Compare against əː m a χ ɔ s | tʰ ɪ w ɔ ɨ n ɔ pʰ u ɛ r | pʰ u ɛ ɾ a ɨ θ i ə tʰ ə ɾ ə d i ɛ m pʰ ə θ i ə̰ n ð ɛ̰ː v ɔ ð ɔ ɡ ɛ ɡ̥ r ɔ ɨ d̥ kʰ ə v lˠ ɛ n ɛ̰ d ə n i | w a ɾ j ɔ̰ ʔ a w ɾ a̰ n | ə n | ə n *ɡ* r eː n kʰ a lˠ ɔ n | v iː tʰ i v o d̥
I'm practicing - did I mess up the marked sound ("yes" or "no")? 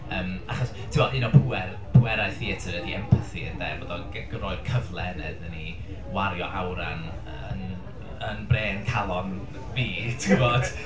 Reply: yes